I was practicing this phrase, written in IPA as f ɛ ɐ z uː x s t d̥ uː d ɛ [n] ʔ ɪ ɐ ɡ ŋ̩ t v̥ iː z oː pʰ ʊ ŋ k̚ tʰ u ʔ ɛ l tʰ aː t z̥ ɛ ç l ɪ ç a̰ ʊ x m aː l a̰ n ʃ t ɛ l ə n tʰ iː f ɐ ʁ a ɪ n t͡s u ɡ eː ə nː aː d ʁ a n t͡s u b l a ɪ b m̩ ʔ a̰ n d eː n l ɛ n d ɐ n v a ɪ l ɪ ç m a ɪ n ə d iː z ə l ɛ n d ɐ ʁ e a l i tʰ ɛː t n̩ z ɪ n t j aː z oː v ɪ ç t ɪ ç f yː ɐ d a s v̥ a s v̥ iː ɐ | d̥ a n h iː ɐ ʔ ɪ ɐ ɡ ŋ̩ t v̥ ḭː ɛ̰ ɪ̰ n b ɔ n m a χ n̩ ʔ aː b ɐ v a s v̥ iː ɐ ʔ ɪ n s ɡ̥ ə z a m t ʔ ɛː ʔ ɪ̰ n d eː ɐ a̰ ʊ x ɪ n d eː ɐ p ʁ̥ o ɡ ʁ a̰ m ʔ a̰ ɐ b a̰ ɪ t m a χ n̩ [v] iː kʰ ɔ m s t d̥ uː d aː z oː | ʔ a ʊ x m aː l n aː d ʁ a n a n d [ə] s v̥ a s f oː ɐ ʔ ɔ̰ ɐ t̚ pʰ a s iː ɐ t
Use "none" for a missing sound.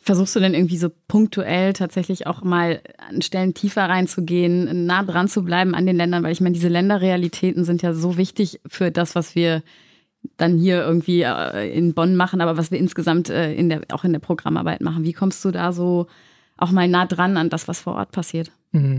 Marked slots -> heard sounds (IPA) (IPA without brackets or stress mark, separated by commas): n, v, a